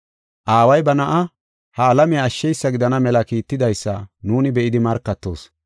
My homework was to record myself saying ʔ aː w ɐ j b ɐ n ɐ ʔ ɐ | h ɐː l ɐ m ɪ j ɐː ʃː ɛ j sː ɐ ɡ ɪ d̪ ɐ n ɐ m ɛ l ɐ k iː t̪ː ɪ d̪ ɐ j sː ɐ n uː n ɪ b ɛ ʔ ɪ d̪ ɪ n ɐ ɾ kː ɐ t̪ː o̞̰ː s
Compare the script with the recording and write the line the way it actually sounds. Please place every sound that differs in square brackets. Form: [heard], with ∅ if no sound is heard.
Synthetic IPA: ʔ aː w ɐ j b ɐ n ɐ ʔ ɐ | h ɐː l ɐ m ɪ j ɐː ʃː ɛ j sː ɐ ɡ ɪ d̪ ɐ n ɐ m ɛ l ɐ k iː t̪ː ɪ d̪ ɐ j sː ɐ n uː n ɪ b ɛ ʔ ɪ d̪ ɪ [m] ɐ ɾ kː ɐ t̪ː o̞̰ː s